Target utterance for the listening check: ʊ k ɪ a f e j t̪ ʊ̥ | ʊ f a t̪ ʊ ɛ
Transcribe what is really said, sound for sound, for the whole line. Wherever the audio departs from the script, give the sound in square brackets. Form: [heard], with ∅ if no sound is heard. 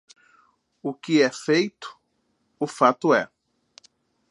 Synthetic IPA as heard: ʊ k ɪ [ɛ] f e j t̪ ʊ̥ | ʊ f a t̪ ʊ ɛ